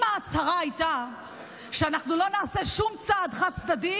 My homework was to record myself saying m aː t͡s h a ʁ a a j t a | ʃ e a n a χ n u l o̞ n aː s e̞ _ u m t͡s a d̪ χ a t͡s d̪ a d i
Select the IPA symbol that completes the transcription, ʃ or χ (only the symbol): ʃ